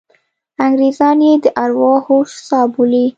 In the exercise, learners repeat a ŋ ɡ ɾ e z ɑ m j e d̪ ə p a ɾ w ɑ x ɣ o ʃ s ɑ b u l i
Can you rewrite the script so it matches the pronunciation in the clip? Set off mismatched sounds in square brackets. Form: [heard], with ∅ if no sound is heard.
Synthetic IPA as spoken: a ŋ ɡ ɾ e z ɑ [n] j e d̪ ə [ʔ] a ɾ w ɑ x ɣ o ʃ s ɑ b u l i